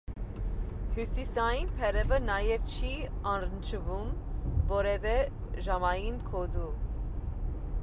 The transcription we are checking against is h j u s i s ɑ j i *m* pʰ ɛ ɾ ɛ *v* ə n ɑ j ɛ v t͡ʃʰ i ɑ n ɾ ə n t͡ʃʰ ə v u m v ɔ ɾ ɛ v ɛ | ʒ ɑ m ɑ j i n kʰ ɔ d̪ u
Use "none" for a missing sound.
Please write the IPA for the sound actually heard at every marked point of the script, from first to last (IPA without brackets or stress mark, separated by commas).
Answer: n, v